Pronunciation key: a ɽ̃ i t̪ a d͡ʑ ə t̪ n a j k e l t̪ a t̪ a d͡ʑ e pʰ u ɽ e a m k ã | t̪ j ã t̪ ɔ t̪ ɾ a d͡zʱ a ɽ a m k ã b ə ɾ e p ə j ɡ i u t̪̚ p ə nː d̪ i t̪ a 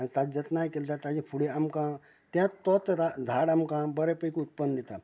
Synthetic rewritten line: a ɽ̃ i t̪ a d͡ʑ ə t̪ n a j k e l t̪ a t̪ a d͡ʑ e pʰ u ɽ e a m k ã | t̪ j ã t̪ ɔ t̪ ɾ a d͡zʱ a ɽ a m k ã b ə ɾ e p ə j k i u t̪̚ p ə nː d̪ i t̪ a